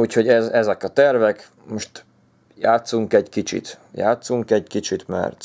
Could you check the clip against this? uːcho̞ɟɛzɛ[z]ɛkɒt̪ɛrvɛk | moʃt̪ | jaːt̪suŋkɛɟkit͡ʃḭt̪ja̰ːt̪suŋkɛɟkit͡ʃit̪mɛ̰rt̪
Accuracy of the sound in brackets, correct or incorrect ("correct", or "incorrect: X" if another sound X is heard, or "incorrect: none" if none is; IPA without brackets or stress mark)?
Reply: correct